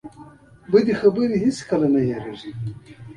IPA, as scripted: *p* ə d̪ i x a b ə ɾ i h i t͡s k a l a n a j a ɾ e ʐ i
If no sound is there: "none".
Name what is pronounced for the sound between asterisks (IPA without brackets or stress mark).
b